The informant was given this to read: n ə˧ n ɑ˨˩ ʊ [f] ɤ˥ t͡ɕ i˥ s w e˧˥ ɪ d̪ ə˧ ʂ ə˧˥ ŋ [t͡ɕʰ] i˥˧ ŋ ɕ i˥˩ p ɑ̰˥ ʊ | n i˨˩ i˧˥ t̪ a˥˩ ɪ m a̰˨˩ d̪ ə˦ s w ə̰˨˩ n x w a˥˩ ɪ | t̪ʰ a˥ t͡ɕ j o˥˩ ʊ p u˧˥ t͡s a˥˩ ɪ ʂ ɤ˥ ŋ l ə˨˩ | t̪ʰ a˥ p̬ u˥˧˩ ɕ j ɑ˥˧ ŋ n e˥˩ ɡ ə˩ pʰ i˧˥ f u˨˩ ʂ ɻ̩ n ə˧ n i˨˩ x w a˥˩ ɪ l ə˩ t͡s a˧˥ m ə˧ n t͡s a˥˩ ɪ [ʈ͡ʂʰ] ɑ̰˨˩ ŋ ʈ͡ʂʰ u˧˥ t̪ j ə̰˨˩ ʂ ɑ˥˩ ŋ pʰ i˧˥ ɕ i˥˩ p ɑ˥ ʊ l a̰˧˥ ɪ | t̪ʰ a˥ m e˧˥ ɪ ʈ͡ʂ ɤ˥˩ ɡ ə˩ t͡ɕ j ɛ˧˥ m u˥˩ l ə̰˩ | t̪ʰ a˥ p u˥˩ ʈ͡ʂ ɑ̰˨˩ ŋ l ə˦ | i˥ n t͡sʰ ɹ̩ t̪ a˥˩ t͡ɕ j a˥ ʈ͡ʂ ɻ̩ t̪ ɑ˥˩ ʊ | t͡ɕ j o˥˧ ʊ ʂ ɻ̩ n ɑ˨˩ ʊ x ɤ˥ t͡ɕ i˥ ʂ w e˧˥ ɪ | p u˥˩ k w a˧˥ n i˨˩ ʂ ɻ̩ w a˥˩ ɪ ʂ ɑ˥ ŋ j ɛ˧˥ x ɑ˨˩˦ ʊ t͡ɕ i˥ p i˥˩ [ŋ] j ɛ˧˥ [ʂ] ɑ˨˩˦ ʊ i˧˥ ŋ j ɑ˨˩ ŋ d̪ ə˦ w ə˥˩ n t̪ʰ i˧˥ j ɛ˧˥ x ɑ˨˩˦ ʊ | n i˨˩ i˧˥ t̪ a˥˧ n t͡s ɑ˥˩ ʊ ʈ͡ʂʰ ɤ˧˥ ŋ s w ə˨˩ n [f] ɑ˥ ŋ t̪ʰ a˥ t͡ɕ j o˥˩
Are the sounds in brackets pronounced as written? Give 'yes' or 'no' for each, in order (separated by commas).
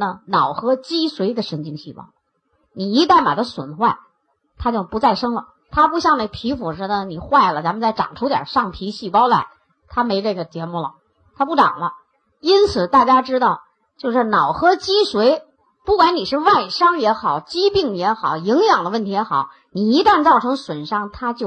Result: no, no, no, yes, no, no